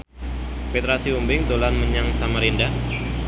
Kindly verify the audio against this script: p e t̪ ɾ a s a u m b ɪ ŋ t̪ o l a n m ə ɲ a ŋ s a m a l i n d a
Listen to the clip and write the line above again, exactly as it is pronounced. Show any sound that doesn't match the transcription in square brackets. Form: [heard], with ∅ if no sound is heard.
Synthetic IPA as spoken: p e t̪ ɾ a s [i] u m b ɪ ŋ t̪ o l a n m ə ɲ a ŋ s a m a [ɾ] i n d a